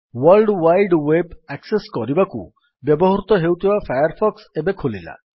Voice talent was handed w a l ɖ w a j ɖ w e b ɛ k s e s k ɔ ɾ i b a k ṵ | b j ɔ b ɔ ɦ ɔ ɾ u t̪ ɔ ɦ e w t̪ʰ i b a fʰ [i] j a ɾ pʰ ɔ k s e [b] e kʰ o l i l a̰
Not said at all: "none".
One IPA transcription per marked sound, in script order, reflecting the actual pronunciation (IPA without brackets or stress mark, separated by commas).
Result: a, b